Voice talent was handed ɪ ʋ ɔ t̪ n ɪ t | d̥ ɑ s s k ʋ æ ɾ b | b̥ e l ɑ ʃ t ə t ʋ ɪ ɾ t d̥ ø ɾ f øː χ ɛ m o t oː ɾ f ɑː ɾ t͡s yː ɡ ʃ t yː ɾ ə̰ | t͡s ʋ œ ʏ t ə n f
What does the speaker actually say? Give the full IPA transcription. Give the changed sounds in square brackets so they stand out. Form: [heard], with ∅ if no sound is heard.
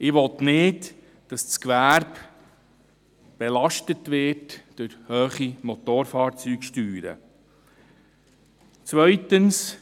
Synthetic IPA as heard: ɪ ʋ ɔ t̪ n ɪ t | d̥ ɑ s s k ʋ æ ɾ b | b̥ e l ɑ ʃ t ə t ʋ ɪ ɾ t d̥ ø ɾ [h] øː χ [i] m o t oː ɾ f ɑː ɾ t͡s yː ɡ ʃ t yː ɾ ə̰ | t͡s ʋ œ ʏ t ə n [s]